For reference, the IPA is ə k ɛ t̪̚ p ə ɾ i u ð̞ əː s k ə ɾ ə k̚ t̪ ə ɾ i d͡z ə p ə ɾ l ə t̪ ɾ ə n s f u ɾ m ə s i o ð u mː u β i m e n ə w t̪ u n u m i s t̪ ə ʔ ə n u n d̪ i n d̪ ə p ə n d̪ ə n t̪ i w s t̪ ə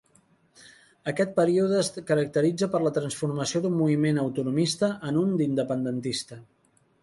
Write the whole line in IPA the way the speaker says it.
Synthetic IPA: ə k ɛ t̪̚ p ə ɾ i u ð̞ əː s k ə ɾ ə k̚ t̪ ə ɾ i d͡z ə p ə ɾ l ə t̪ ɾ ə n s f u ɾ m ə s i o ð u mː u β i m e n ə w t̪ u n u m i s t̪ ə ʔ ə n u n d̪ i n d̪ ə p ə n d̪ ə n t̪ i s t̪ ə